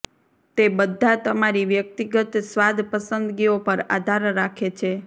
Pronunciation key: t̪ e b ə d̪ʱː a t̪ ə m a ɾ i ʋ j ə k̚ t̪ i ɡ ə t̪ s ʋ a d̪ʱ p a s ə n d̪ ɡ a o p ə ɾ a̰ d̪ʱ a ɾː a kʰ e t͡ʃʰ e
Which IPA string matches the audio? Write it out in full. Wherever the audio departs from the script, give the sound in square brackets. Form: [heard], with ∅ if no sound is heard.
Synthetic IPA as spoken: t̪ e b ə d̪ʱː a t̪ ə m a ɾ i ʋ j ə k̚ t̪ i ɡ ə t̪ s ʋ a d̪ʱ p [ə] s ə n d̪ ɡ [i] o p ə ɾ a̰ d̪ʱ a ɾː a kʰ e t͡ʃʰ e